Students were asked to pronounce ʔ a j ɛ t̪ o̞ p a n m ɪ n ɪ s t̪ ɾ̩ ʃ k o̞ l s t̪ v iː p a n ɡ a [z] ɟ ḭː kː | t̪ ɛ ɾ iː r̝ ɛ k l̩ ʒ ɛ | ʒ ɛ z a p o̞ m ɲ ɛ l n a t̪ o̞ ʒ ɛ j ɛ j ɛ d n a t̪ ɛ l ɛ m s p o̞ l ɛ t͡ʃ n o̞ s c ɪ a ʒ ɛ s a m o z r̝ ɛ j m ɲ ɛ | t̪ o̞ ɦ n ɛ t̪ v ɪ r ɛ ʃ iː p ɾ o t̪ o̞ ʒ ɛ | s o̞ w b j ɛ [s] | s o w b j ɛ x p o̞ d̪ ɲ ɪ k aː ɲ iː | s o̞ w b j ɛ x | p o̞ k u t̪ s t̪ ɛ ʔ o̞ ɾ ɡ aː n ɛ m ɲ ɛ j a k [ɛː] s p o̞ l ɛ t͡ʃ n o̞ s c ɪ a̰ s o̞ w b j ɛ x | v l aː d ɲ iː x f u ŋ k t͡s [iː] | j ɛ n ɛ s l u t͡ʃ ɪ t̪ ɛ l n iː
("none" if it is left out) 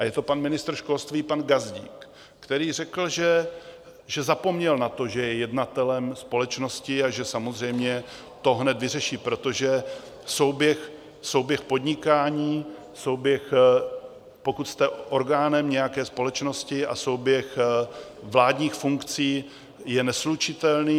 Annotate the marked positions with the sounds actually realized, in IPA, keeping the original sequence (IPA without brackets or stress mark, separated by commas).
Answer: z, x, ɛː, iː